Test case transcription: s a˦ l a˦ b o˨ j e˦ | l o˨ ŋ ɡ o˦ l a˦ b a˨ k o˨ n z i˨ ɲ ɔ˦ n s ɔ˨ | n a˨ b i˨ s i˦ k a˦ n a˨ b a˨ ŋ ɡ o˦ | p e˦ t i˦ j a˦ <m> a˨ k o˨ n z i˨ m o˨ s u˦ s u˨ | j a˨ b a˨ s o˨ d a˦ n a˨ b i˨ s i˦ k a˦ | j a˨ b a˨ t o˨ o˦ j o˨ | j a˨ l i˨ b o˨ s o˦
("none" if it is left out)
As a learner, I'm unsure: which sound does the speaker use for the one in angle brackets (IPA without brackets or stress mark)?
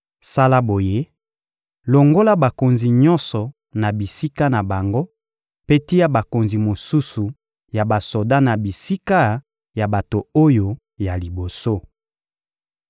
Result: b